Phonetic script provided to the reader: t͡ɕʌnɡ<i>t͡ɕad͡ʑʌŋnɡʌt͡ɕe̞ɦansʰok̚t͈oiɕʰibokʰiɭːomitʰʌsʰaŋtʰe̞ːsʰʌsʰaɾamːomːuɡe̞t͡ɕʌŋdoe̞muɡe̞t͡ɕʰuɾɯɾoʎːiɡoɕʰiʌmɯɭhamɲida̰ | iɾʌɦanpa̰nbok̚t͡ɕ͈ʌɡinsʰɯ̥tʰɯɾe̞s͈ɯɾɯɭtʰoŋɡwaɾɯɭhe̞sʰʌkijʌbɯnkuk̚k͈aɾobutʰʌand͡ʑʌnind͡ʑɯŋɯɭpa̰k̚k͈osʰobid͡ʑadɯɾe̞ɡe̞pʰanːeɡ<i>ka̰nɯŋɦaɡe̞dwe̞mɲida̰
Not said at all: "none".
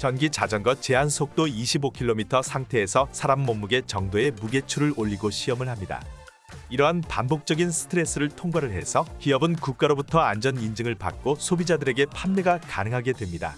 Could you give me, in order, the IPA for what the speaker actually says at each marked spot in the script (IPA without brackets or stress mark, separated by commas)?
i, a